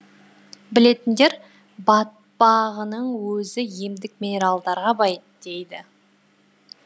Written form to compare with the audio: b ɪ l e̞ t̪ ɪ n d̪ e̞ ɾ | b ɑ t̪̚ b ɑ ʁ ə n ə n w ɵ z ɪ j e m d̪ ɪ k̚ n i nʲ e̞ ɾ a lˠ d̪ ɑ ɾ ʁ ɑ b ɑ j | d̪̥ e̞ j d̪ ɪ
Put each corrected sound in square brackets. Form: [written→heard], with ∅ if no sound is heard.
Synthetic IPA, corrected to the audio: b ɪ l e̞ t̪ ɪ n d̪ e̞ ɾ | b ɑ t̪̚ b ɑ ʁ ə n ə [n→ɴ] w ɵ z ɪ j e m d̪ ɪ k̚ [n→m] i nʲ e̞ ɾ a lˠ d̪ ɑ ɾ ʁ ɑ b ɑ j | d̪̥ e̞ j d̪ ɪ